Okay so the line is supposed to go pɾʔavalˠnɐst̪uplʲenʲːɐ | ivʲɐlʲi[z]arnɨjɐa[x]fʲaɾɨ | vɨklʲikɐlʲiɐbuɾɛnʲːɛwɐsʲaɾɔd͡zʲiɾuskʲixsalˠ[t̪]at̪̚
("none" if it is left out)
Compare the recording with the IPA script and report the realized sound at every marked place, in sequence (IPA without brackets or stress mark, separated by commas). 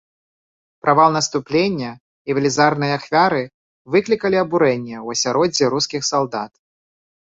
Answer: z, x, d̪